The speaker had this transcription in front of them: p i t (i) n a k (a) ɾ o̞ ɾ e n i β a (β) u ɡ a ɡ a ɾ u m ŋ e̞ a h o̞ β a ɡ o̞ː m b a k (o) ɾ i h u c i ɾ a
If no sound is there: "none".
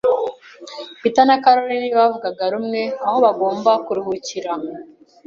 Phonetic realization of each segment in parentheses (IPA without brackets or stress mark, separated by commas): a, a, v, u